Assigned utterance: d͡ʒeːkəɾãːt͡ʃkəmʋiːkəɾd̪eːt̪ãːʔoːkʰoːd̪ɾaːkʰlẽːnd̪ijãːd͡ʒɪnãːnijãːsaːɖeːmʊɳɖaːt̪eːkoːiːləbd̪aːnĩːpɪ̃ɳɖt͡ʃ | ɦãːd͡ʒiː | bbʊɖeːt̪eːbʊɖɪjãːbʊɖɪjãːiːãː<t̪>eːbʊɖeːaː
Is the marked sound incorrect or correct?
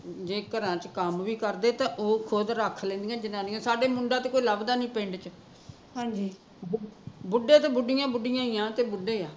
correct